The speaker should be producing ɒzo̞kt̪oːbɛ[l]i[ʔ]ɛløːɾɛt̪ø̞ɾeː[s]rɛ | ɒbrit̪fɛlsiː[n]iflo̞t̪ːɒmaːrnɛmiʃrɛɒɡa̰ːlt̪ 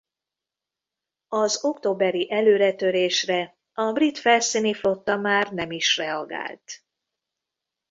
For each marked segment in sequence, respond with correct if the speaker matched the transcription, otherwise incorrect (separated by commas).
incorrect, correct, incorrect, correct